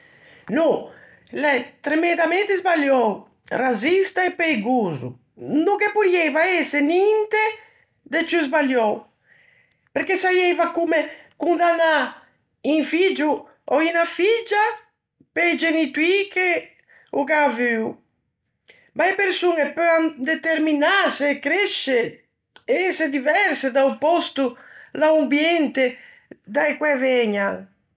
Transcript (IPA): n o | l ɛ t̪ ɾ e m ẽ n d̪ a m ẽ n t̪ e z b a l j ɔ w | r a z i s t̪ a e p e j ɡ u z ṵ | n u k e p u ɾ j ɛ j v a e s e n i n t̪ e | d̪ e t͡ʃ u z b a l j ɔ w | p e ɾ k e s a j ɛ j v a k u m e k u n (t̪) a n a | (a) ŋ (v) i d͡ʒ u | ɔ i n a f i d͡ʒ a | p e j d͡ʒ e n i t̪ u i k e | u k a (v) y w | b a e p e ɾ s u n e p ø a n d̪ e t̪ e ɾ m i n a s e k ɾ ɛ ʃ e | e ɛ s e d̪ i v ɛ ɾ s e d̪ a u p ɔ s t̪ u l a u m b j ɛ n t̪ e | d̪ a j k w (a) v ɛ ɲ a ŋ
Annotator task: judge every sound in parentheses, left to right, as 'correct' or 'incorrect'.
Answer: incorrect, incorrect, incorrect, correct, incorrect

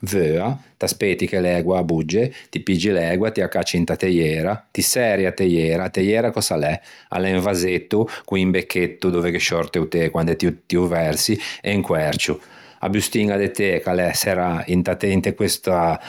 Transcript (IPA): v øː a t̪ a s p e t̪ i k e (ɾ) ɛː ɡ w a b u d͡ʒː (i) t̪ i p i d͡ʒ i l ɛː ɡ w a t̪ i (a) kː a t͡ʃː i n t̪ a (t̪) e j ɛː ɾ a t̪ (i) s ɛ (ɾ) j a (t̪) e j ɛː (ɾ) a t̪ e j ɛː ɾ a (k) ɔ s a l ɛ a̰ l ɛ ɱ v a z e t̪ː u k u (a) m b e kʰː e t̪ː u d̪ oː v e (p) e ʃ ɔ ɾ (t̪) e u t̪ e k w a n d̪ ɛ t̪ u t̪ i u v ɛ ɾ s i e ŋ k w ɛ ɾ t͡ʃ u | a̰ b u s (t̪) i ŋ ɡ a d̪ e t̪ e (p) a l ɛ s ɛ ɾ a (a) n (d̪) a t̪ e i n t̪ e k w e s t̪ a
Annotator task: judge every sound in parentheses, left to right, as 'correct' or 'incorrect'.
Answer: incorrect, incorrect, correct, correct, correct, correct, correct, correct, correct, incorrect, incorrect, correct, correct, incorrect, incorrect, incorrect

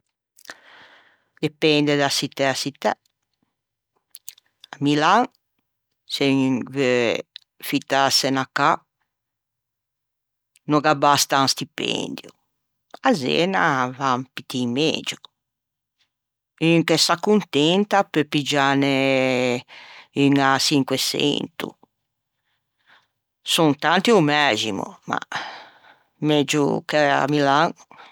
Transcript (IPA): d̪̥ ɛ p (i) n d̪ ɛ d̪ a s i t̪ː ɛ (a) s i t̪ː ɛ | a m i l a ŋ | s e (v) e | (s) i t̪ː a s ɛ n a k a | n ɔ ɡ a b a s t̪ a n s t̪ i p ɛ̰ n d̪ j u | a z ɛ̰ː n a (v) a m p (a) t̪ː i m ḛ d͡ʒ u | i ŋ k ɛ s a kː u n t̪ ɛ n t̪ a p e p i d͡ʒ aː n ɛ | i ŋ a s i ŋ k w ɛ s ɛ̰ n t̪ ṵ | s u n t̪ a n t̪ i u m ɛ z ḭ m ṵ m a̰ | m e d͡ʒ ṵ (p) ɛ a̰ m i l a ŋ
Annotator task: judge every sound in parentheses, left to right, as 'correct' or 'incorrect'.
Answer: incorrect, correct, correct, incorrect, correct, incorrect, incorrect

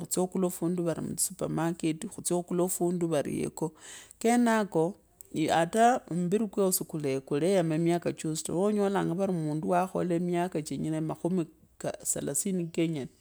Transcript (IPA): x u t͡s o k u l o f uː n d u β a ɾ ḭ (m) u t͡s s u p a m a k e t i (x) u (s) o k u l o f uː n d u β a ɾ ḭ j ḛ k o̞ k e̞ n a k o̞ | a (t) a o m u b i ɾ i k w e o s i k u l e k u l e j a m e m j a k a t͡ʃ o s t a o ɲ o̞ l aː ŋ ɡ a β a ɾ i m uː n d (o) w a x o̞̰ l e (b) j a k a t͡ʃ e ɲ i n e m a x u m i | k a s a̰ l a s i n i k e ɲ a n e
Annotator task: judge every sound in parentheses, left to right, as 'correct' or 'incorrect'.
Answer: correct, correct, incorrect, correct, incorrect, incorrect

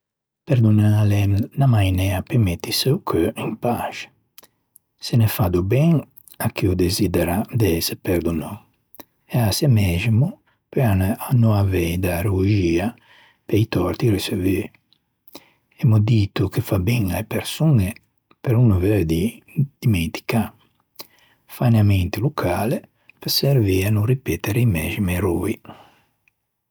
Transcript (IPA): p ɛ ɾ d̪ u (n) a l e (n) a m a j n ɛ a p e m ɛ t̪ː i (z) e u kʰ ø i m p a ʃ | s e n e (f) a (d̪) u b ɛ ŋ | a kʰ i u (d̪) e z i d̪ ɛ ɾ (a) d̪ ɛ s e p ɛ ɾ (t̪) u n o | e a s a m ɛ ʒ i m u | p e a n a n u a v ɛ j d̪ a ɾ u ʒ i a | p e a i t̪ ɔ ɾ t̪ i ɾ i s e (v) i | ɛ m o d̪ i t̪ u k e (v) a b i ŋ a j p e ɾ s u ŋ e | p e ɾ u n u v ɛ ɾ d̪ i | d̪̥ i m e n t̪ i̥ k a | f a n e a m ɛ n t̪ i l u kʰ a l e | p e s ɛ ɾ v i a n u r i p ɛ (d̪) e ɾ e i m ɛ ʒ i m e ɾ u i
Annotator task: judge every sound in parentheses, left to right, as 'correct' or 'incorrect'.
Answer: correct, correct, incorrect, correct, correct, correct, correct, incorrect, correct, incorrect, incorrect

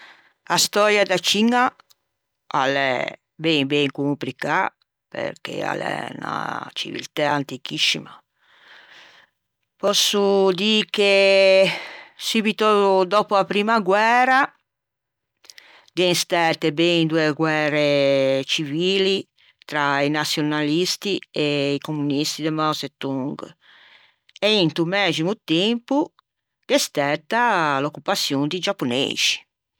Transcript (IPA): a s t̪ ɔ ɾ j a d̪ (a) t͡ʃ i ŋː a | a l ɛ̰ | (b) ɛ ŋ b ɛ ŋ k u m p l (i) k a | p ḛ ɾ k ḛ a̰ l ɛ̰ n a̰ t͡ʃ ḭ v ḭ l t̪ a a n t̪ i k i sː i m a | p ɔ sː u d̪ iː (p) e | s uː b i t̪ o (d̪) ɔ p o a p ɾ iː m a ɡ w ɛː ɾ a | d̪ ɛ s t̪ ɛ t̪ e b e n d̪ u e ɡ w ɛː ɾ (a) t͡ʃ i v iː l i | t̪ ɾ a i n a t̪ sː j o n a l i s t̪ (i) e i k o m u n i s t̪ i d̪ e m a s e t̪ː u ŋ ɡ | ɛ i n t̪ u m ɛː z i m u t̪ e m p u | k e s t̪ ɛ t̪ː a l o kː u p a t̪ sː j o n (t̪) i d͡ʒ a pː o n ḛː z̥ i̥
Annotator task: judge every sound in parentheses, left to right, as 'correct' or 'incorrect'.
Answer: correct, correct, correct, incorrect, correct, incorrect, correct, incorrect

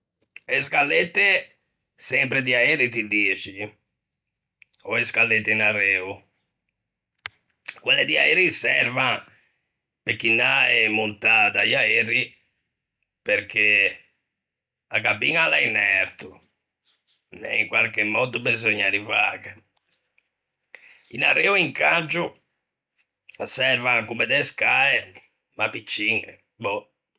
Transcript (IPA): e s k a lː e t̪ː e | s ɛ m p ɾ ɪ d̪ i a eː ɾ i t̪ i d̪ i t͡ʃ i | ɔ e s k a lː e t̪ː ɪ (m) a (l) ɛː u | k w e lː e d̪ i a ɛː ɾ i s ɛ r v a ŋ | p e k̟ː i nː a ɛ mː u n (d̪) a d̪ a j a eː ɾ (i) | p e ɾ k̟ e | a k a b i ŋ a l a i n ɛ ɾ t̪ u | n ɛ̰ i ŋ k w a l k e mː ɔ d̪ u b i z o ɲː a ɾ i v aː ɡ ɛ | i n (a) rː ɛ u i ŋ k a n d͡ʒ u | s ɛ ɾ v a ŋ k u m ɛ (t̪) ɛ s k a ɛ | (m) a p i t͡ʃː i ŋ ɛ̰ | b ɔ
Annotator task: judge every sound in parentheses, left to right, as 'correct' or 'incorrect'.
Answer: incorrect, incorrect, incorrect, correct, correct, incorrect, correct

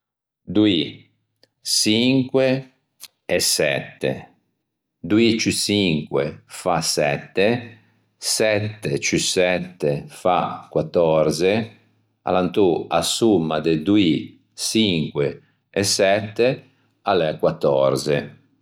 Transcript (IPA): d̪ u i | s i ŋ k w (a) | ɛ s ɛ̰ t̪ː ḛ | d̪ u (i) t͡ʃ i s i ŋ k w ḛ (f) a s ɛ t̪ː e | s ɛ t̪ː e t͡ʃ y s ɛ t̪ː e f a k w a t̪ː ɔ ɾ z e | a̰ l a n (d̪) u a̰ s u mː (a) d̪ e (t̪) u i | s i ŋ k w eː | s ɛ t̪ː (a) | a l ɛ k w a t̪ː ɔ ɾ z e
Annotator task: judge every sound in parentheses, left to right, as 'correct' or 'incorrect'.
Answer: incorrect, correct, correct, incorrect, correct, incorrect, incorrect

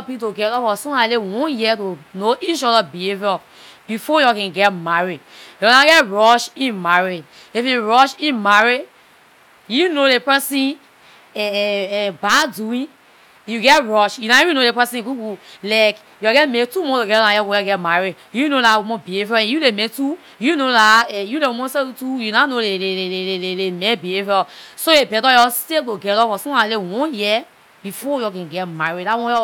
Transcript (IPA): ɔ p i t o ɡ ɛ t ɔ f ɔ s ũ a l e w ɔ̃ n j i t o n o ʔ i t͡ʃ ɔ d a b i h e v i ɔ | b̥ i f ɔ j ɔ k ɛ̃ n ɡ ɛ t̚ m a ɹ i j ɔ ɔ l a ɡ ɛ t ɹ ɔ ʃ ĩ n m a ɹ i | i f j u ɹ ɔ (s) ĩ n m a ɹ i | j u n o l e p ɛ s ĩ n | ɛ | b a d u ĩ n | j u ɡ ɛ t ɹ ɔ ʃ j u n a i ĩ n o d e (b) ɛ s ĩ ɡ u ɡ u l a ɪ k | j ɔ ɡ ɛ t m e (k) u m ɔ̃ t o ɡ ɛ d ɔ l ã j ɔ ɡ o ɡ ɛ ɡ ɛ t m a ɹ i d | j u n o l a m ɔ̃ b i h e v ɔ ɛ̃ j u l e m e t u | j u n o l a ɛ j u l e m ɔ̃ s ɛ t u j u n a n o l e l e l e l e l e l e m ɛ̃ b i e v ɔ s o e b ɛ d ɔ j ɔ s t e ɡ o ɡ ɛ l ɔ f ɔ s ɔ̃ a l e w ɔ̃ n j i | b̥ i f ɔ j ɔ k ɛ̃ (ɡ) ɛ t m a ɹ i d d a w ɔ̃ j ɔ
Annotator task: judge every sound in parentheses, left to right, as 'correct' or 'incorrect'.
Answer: incorrect, incorrect, incorrect, correct

